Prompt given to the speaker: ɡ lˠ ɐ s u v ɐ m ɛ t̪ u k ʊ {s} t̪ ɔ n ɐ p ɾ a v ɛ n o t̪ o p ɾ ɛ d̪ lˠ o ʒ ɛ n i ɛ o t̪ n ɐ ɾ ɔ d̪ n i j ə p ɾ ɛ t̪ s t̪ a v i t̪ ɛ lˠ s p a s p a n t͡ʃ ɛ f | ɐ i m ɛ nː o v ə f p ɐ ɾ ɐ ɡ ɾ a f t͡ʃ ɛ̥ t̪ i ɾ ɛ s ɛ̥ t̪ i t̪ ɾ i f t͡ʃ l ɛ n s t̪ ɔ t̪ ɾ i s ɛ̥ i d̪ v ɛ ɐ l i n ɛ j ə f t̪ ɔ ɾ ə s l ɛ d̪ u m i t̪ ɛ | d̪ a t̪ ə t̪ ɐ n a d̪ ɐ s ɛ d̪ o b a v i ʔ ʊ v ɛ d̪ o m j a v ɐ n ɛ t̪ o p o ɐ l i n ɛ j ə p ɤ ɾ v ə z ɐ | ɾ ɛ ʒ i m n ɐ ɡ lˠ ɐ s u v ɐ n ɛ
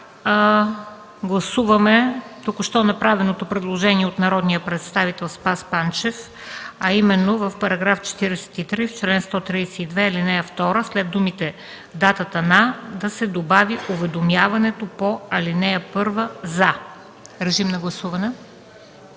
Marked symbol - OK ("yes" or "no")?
no